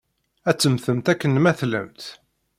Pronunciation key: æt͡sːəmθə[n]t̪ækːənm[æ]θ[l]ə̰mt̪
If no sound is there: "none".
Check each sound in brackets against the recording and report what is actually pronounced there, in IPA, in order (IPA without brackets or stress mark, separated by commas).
m, æ, l